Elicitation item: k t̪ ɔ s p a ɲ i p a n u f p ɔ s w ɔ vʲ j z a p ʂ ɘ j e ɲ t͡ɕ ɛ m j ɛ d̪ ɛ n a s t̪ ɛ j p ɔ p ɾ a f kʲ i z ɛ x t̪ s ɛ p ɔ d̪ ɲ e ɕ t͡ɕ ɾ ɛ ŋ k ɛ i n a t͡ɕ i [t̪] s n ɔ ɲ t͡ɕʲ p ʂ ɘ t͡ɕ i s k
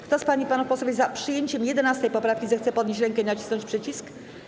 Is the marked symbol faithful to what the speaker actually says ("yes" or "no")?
no